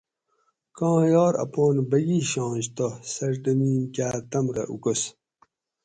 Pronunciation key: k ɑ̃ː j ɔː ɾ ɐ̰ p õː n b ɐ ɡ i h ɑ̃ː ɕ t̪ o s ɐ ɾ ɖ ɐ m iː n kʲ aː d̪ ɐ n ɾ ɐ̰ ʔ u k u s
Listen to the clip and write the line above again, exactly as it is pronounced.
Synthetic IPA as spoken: k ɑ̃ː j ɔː ɾ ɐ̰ p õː n b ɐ ɡ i ɕ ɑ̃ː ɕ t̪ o s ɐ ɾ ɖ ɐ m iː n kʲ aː t̪ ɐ m ɾ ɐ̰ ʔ u k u s